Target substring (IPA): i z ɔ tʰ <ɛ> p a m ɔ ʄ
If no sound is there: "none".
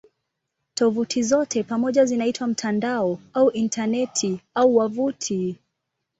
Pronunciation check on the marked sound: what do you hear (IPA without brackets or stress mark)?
ɛ